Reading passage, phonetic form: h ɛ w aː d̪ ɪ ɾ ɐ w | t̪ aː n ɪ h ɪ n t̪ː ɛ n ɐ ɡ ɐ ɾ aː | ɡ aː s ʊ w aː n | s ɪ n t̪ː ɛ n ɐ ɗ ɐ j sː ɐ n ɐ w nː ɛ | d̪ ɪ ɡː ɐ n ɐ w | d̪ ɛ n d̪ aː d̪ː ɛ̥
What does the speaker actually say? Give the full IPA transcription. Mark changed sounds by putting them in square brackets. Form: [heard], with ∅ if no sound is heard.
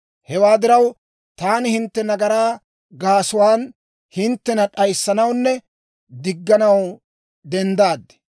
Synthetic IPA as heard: h ɛ w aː d̪ ɪ ɾ ɐ w | t̪ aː n ɪ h ɪ n t̪ː ɛ n ɐ ɡ ɐ ɾ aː | ɡ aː s ʊ w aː n | [h] ɪ n t̪ː ɛ n ɐ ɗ ɐ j sː ɐ n ɐ w nː ɛ | d̪ ɪ ɡː ɐ n ɐ w | d̪ ɛ n d̪ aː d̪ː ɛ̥